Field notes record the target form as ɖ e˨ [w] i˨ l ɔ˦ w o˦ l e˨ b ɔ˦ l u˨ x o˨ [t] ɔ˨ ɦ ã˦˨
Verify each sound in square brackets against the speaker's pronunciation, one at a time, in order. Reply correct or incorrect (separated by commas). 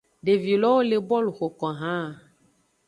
incorrect, incorrect